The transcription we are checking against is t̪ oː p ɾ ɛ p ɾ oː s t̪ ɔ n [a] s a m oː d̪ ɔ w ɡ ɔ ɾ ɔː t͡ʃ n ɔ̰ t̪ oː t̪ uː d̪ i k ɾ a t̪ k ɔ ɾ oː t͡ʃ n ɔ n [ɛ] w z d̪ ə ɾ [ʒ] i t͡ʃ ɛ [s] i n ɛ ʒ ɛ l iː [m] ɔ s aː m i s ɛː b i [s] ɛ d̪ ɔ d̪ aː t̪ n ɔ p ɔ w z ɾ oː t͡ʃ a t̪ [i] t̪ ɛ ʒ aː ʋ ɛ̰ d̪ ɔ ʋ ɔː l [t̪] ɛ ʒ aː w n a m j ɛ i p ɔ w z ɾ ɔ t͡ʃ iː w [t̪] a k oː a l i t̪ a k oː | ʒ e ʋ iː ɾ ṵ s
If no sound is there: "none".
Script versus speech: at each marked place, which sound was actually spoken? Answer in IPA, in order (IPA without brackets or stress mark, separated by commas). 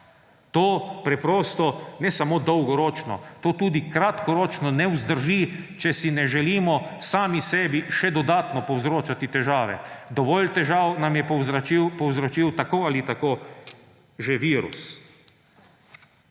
ɛ, ɛ, ʒ, s, m, ʃ, i, t̪, t̪